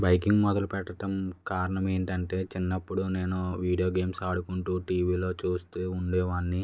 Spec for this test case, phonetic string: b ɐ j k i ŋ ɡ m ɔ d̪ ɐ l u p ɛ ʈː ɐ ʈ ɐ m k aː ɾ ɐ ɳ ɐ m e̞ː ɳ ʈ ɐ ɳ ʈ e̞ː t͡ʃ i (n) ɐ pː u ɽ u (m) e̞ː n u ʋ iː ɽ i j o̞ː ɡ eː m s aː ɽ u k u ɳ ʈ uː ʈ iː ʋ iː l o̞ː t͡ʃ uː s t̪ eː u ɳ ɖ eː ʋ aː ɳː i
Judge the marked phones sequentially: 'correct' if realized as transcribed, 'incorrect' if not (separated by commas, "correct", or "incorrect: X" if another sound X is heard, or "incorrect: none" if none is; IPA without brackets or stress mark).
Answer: incorrect: nː, incorrect: n